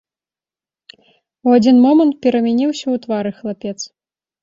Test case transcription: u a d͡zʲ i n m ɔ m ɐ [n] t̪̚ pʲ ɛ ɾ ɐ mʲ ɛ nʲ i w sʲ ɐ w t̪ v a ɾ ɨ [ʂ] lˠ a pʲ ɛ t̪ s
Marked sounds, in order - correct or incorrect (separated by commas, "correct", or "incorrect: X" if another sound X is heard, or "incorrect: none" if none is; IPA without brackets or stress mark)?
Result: correct, incorrect: x